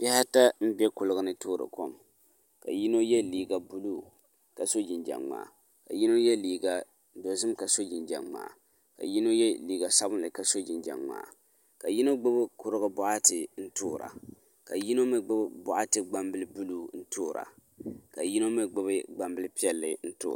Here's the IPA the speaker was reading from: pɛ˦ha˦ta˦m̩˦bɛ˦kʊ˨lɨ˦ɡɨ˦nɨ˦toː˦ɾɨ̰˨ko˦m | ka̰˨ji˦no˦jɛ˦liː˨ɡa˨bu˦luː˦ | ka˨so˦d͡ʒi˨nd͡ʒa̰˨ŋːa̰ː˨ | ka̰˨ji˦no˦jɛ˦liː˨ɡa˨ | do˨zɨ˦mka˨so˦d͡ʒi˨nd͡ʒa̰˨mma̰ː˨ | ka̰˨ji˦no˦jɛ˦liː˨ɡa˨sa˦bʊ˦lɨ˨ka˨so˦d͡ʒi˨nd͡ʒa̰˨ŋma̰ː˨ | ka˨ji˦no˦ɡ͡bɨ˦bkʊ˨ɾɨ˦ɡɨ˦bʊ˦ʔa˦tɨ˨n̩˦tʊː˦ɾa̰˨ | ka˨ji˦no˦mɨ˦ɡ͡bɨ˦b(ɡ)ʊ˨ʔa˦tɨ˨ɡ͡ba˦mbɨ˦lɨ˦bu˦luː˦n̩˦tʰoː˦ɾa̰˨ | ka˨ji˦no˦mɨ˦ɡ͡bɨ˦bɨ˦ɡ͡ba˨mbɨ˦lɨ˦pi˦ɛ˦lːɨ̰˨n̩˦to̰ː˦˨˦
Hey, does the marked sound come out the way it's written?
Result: no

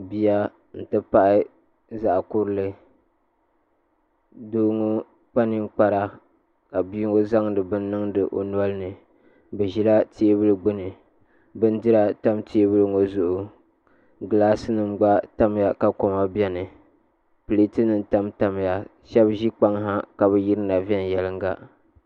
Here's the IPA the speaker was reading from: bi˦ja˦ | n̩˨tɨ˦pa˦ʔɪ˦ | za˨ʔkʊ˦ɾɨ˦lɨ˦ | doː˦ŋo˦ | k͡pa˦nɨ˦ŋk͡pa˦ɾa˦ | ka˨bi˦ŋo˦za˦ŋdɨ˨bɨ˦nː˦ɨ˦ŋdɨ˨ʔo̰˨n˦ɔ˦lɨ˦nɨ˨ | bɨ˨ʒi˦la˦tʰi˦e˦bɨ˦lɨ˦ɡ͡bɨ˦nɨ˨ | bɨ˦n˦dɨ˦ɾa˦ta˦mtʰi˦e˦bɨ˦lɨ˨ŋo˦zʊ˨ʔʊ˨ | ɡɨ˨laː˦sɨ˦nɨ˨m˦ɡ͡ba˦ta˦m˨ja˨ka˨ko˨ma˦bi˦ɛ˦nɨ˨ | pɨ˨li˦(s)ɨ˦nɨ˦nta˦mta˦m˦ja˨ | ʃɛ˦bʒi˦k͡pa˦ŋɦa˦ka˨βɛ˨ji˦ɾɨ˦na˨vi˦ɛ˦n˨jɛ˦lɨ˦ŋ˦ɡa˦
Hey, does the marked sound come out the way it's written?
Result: no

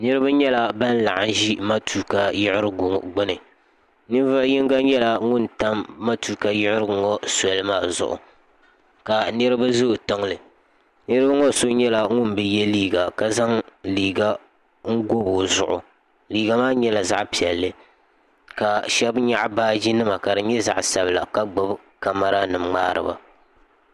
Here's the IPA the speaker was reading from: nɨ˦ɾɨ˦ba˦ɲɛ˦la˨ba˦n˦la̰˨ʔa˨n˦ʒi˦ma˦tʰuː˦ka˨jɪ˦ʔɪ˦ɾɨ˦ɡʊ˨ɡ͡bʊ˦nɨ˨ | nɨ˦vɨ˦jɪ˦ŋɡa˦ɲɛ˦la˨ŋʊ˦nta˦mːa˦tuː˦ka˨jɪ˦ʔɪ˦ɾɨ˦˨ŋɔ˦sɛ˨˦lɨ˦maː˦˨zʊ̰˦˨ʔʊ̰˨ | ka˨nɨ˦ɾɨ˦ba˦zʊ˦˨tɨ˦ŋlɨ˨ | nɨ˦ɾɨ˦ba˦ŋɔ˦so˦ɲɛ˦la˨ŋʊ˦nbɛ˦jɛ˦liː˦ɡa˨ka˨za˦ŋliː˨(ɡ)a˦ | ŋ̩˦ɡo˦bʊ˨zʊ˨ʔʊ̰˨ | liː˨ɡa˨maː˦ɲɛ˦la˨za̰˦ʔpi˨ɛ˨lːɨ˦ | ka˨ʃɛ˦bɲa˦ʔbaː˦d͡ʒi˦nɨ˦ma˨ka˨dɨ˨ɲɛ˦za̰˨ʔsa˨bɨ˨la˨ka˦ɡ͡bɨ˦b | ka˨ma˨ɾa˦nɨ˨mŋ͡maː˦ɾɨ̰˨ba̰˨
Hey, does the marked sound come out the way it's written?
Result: yes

